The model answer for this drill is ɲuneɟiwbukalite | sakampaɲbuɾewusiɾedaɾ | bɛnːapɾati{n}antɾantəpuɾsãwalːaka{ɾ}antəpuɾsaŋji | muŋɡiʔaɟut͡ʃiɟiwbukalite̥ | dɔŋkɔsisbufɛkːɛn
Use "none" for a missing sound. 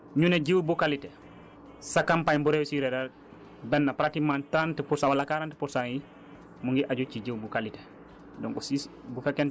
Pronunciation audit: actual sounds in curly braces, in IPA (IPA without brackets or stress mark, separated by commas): m, ɾ